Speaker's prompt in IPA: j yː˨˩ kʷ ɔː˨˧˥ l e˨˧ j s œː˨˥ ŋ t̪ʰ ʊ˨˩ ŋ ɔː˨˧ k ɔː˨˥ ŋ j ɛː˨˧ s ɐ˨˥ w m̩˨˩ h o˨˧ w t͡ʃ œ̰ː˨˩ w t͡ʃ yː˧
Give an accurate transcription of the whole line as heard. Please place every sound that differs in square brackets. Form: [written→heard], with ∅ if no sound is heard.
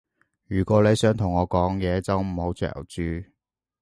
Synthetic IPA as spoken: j yː˨˩ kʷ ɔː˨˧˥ l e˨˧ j s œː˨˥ ŋ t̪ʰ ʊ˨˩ ŋ ɔː˨˧ k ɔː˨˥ ŋ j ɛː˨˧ [s→t͡s] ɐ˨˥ w m̩˨˩ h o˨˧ w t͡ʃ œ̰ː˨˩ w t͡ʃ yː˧

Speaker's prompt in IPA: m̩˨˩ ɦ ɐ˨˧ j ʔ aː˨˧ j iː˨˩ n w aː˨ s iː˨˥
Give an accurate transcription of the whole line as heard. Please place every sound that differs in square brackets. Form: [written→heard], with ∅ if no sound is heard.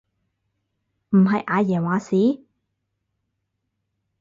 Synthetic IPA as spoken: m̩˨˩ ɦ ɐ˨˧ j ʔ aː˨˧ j [iː˨˩→ɛː˨˩] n w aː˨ s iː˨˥

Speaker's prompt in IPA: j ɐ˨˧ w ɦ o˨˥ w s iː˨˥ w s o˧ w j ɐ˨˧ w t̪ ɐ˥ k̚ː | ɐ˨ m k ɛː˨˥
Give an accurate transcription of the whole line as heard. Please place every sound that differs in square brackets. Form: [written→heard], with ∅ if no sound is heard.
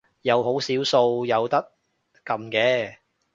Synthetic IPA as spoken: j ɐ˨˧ w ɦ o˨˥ w s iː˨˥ w s o˧ w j ɐ˨˧ w t̪ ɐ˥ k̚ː | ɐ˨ m k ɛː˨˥

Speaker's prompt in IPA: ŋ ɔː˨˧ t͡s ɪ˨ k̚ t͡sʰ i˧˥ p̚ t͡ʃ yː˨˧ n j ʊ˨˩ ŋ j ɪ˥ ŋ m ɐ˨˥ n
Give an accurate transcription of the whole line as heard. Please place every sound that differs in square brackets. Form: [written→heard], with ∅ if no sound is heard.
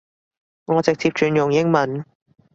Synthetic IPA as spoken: ŋ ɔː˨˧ t͡s ɪ˨ k̚ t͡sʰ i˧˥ p̚ t͡ʃ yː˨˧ n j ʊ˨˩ ŋ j ɪ˥ ŋ m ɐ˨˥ n

